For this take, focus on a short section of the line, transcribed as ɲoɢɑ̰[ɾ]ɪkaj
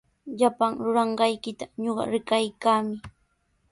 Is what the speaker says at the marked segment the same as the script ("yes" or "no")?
yes